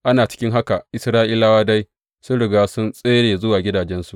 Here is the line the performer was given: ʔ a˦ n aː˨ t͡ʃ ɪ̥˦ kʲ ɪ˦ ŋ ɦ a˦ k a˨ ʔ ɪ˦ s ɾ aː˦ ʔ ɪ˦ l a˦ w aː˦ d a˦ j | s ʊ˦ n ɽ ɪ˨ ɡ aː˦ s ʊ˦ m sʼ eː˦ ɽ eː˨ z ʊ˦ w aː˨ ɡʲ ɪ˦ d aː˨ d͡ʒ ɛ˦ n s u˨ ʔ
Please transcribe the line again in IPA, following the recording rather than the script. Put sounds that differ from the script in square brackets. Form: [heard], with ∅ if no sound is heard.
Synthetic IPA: ʔ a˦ n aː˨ t͡ʃ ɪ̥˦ kʲ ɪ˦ ŋ ɦ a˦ k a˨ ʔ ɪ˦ s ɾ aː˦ ʔ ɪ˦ l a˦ w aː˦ d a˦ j | s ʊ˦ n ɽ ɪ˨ ɡ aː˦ s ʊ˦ [n] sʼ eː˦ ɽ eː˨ z ʊ˦ w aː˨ ɡʲ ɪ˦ d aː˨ d͡ʒ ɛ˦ n s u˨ ʔ

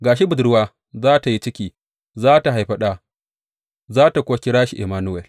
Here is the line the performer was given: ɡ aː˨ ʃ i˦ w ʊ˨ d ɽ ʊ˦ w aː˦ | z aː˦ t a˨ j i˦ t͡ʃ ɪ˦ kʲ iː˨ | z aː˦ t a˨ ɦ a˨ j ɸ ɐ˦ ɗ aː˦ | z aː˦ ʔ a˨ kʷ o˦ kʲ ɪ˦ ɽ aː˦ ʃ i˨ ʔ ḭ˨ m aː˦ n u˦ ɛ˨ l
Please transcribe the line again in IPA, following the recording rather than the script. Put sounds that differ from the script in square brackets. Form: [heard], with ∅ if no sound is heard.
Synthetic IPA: ɡ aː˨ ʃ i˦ [b] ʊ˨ d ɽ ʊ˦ w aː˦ | z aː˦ t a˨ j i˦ t͡ʃ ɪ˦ kʲ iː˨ | z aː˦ t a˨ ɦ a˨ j ɸ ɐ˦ ɗ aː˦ | z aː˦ [t] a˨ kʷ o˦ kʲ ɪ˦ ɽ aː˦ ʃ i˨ ʔ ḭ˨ m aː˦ n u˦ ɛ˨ l

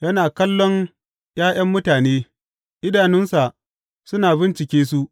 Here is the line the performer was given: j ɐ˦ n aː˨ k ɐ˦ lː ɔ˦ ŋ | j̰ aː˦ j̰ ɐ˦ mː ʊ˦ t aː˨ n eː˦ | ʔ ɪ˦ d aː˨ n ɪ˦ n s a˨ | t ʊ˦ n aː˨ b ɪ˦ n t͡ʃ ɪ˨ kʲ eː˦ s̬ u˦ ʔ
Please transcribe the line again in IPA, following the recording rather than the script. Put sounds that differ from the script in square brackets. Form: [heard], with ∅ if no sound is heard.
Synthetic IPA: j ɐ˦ n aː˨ k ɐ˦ lː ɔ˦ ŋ | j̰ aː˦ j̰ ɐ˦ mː ʊ˦ t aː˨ n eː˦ | ʔ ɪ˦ d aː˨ n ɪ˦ n s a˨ | [s] ʊ˦ n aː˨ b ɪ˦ n t͡ʃ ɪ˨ kʲ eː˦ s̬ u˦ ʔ

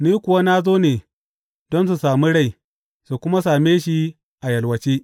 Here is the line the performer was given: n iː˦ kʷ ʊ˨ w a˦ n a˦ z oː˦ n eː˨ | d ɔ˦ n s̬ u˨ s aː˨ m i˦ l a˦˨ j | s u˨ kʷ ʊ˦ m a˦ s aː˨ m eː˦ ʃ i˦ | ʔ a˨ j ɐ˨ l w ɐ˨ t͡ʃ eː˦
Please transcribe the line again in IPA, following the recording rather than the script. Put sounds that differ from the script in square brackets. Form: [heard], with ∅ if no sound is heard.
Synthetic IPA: n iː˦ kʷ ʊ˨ w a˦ n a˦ z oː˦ n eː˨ | d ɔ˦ n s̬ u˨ s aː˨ m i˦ [ɽ] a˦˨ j | s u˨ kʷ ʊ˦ m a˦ s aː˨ m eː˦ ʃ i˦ | ʔ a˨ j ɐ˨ l w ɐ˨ t͡ʃ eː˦

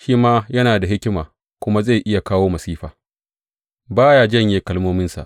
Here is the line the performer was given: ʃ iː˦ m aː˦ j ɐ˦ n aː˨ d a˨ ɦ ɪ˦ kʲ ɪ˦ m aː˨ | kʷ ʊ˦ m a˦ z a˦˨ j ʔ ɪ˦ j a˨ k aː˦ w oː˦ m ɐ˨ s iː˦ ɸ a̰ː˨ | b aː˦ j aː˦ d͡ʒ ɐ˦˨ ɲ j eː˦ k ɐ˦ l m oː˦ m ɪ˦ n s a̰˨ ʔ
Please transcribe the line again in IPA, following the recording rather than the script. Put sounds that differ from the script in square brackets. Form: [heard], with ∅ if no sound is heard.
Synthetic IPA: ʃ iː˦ m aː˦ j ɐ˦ n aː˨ d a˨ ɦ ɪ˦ kʲ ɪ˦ m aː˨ | kʷ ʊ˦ m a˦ z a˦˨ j ʔ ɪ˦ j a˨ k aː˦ w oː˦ m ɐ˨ s iː˦ ɸ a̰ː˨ | b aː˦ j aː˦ d͡ʒ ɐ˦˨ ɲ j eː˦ k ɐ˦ l m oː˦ m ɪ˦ n s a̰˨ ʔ

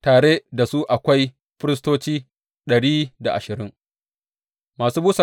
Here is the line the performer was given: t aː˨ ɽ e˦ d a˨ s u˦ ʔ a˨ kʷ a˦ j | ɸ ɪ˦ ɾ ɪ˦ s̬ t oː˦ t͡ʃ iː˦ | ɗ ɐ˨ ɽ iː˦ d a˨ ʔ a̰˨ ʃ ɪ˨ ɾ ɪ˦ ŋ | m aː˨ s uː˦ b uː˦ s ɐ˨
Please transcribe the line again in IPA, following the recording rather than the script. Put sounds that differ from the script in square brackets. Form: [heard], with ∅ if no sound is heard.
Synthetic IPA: t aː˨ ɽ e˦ d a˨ s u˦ ʔ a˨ kʷ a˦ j | ɸ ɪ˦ ɾ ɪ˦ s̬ t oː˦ t͡ʃ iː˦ | ɗ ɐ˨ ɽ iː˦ d a˨ ʔ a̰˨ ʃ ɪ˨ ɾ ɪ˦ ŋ | m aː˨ s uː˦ b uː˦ s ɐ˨

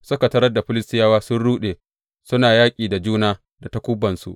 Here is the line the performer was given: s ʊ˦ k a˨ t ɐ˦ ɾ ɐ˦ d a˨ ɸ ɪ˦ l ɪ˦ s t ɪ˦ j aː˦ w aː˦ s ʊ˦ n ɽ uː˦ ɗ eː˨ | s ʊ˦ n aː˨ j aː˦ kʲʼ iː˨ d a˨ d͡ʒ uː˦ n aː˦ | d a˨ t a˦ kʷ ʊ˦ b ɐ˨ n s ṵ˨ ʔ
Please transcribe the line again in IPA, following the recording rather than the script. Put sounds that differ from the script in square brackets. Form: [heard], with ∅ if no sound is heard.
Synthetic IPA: s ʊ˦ k a˨ t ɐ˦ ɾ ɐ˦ d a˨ ɸ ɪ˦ l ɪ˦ s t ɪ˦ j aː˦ w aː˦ s ʊ˦ n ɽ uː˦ ɗ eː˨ | s ʊ˦ n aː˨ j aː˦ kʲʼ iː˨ d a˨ d͡ʒ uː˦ n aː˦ | d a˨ t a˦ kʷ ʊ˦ b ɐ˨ n s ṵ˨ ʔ

